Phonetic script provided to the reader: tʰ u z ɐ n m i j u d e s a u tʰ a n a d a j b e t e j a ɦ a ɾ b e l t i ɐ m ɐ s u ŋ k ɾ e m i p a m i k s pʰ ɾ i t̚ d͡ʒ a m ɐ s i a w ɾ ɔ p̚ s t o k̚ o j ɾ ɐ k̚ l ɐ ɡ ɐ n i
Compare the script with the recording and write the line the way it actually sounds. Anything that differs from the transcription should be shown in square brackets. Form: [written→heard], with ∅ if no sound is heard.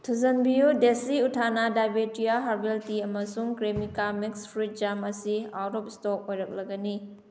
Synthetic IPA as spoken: tʰ u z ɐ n [m→b] i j u d e s [a→i] u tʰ a n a d a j b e t [e→i] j a ɦ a ɾ b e l t i ɐ m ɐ s u ŋ k ɾ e m i [p→k] a m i k s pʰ ɾ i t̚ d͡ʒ a m ɐ s i a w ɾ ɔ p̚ s t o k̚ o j ɾ ɐ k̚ l ɐ ɡ ɐ n i